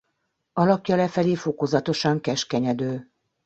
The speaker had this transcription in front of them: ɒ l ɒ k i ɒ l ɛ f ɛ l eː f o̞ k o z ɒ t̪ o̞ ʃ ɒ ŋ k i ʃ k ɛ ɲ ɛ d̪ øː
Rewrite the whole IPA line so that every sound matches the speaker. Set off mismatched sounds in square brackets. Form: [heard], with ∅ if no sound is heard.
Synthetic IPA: ɒ l ɒ k [j] ɒ l ɛ f ɛ l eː f o̞ k o z ɒ t̪ o̞ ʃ ɒ ŋ k [ɛ] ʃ k ɛ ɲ ɛ d̪ øː